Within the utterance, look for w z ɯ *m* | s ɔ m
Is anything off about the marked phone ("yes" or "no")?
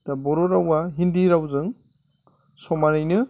yes